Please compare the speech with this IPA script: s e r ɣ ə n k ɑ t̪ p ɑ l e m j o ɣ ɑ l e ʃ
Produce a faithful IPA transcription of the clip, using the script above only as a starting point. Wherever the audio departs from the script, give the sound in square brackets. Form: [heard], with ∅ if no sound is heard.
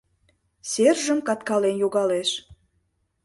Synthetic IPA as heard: s e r [ʒ] ə [m] k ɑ t̪ [k] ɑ l e [n] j o ɣ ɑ l e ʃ